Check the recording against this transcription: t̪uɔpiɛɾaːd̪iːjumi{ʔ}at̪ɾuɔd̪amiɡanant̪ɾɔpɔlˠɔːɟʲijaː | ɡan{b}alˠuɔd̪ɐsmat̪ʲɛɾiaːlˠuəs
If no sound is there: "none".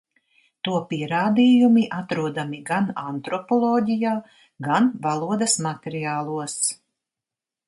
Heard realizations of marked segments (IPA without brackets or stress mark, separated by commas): ʔ, v